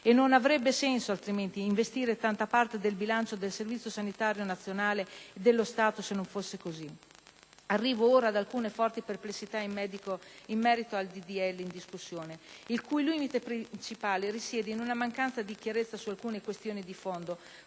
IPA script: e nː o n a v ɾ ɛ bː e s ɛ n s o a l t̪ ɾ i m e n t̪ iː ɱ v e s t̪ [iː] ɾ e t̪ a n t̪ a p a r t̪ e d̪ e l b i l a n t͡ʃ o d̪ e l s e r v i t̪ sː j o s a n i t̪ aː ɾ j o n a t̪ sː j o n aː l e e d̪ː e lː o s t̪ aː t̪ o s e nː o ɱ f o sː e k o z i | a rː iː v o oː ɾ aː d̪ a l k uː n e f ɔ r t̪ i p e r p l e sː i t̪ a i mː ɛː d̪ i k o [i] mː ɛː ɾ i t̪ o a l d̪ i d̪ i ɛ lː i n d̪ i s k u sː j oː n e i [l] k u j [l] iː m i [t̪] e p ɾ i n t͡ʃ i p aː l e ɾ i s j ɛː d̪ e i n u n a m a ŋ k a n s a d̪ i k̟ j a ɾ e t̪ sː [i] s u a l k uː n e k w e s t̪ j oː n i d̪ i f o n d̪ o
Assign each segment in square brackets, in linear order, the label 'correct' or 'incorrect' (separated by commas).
correct, correct, correct, correct, correct, incorrect